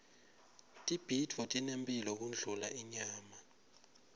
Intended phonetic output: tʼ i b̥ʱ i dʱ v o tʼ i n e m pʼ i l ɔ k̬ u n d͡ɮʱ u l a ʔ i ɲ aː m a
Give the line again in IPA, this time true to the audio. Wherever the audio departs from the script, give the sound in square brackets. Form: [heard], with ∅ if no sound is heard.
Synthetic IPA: tʼ i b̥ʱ i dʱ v [ɔ] tʼ i n e m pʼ i l ɔ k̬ u n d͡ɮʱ u l a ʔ i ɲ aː m a